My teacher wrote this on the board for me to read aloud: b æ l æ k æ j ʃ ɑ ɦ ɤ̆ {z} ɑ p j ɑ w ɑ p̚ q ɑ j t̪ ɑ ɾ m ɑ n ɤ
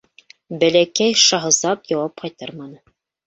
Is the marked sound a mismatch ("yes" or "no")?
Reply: no